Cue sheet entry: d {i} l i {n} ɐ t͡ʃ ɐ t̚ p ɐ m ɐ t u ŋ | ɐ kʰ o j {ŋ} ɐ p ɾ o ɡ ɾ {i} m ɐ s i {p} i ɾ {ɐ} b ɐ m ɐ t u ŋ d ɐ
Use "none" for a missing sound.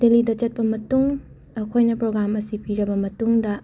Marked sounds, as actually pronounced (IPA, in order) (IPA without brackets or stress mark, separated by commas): e, d, n, a, p, ɐ